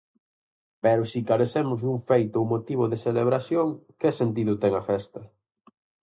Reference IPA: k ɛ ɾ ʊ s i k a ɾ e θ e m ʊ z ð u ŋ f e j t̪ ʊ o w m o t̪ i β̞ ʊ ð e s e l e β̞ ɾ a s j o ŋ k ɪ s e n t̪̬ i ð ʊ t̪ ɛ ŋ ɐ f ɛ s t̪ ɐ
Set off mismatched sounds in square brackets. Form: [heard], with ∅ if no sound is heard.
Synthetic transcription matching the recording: [p] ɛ ɾ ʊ s i k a ɾ e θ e m ʊ z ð u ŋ f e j t̪ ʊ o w m o t̪ i β̞ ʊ ð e s e l e β̞ ɾ a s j o ŋ k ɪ s e n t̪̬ i ð ʊ t̪ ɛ ŋ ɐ f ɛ s t̪ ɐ